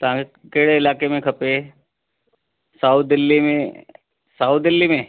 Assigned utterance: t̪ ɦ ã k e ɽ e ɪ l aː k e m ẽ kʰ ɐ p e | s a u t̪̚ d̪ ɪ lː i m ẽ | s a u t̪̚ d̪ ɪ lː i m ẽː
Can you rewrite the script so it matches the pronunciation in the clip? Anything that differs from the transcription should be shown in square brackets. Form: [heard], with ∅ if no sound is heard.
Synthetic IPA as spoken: t̪ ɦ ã k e ɽ e ɪ l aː k e m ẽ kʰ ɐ p e | s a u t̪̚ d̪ ɪ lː i m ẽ | s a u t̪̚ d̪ ɪ lː i m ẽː